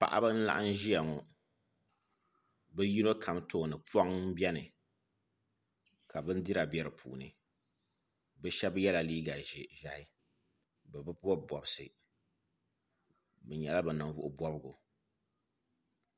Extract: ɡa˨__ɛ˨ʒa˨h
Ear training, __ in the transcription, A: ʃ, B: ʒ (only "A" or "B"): B